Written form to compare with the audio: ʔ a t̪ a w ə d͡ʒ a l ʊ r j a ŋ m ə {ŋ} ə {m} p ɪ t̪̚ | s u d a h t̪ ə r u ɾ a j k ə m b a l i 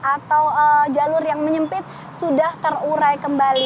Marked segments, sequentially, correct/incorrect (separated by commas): incorrect, correct